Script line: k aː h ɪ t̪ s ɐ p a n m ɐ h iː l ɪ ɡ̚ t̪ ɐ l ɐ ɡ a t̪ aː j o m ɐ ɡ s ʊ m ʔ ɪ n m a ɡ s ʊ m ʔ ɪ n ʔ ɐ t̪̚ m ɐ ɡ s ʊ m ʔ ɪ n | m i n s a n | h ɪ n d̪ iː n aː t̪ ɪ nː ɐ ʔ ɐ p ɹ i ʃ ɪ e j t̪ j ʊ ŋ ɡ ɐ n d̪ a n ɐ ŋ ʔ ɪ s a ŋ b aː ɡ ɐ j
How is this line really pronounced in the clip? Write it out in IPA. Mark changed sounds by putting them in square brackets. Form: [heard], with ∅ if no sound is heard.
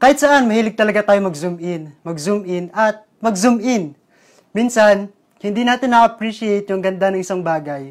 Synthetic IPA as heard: k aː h ɪ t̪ s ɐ [ʔ] a n m ɐ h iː l ɪ ɡ̚ t̪ ɐ l ɐ ɡ a t̪ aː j o m ɐ ɡ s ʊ m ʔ ɪ n m [ɐ] ɡ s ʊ m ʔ ɪ n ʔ ɐ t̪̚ m ɐ ɡ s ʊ m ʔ ɪ n | m i n s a n | h ɪ n d̪ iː n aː t̪ ɪ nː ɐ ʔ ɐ p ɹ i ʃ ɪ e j t̪ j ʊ ŋ ɡ ɐ n d̪ a n ɐ ŋ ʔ ɪ s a ŋ b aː ɡ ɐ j